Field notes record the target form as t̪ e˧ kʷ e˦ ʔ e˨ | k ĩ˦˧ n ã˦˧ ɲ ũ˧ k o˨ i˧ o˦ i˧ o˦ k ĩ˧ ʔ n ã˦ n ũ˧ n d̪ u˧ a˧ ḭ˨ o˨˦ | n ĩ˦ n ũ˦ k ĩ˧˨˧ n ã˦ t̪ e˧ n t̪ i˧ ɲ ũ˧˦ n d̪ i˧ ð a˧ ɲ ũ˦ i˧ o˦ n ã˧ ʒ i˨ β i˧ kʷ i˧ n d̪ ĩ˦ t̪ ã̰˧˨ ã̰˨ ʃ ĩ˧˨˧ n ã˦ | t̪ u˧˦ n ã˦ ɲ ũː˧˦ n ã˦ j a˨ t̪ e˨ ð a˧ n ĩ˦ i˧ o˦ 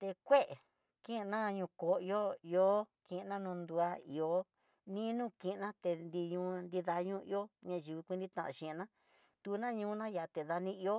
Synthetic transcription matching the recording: t̪ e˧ kʷ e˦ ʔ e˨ | k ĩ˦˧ n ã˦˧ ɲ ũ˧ k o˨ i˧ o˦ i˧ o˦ k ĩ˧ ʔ n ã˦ n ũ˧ n d̪ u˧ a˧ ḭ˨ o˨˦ | n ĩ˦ n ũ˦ k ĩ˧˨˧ n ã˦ t̪ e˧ n d̪ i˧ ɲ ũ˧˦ n d̪ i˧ ð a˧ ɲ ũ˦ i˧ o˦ ɲ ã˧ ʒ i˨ β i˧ kʷ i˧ n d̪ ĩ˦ t̪ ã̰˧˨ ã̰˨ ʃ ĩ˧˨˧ n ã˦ | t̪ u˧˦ n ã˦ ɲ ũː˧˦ n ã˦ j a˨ t̪ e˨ ð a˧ n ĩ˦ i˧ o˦

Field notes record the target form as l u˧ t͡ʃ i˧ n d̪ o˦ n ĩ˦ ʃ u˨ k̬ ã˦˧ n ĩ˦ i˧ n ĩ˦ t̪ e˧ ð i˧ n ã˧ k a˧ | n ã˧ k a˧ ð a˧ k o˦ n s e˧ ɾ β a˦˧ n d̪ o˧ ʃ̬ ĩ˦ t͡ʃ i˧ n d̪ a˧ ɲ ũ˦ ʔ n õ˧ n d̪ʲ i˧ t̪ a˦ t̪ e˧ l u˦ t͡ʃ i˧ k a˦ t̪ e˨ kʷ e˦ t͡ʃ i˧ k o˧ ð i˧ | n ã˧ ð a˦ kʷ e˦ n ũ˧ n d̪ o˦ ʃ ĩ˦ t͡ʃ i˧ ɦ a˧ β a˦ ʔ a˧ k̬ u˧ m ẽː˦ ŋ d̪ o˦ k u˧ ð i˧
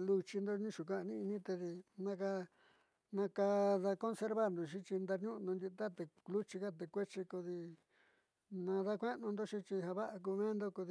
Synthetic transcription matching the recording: l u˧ t͡ʃ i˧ n d̪ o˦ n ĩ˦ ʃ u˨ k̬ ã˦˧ n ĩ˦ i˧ n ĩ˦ t̪ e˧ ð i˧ n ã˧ k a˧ | n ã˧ k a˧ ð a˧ k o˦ n s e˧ ɾ β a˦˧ n d̪ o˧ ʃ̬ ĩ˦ t͡ʃ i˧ n d̪ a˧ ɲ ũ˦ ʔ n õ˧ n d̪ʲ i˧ t̪ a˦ t̪ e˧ l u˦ t͡ʃ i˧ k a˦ t̪ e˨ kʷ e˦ t͡ʃ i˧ k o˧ ð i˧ | n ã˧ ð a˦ kʷ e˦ n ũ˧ n d̪ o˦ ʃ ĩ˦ t͡ʃ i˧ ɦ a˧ β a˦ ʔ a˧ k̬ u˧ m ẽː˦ n d̪ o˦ k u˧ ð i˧

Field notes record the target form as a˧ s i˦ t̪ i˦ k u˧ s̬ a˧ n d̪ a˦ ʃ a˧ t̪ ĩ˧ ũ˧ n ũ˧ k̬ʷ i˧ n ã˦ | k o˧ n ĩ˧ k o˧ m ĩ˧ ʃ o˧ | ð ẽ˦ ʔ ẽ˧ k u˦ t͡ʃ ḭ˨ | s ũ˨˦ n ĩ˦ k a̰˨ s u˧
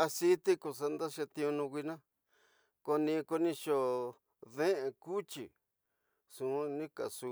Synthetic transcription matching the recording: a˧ s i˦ t̪ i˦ k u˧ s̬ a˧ n d̪ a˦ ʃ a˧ t̪ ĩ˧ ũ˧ n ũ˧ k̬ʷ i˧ n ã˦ | k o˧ n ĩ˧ k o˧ n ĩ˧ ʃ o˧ | ð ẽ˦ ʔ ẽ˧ k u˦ t͡ʃ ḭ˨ | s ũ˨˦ n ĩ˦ k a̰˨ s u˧

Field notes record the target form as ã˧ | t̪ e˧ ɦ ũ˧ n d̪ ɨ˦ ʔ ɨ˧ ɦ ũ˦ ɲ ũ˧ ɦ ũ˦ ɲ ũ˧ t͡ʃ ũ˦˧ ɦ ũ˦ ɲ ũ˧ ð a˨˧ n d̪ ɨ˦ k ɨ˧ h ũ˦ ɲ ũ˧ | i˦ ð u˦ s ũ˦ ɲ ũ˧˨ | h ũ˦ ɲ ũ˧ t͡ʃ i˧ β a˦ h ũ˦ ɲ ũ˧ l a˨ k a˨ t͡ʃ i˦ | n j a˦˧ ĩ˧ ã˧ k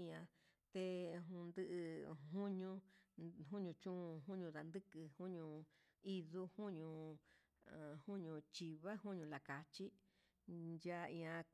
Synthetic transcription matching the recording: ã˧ | t̪ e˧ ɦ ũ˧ n d̪ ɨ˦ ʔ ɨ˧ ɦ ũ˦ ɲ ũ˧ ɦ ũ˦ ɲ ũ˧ t͡ʃ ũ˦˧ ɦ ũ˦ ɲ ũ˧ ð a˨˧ n d̪ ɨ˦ k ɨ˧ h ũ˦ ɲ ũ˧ | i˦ ð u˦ h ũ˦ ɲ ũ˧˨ | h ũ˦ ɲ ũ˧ t͡ʃ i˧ β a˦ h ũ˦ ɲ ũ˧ l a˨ k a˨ t͡ʃ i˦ | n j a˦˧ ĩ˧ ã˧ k

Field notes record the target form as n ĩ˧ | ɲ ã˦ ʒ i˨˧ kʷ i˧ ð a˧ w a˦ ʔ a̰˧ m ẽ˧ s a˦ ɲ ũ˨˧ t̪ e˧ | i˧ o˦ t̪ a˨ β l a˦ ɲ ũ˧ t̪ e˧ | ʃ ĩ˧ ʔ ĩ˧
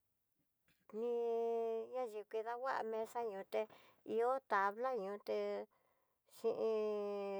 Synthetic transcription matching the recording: n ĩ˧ | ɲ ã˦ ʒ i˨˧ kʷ i˧ ð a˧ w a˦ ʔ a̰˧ m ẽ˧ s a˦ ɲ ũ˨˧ t̪ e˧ | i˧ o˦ t̪ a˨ β l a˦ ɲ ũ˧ t̪ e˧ | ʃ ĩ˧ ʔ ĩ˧

